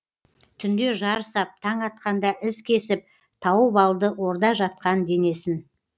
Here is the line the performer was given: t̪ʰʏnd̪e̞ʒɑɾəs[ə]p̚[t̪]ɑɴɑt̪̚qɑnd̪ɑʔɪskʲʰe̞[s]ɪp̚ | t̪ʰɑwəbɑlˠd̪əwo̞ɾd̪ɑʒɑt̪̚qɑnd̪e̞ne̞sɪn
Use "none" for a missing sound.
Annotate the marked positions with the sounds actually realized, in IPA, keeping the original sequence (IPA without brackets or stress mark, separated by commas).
ɑ, t̪ʰ, s